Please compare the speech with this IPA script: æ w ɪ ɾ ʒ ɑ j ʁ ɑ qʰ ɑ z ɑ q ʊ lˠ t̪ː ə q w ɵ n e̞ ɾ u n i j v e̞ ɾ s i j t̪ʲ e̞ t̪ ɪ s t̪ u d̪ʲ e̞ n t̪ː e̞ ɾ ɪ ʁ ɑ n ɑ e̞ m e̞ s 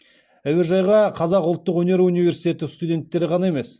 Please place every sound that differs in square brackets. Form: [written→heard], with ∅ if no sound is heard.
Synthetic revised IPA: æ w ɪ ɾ ʒ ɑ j ʁ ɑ qʰ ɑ z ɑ q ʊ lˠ t̪ː ə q w ɵ n e̞ ɾ u n i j v e̞ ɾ s i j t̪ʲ e̞ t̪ ɪ s t̪ u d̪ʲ e̞ n t̪ː e̞ ɾ ɪ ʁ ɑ n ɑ e̞ m e̞ s